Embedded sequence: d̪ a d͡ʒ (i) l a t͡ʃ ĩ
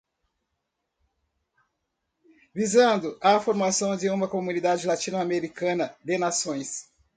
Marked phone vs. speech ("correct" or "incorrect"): incorrect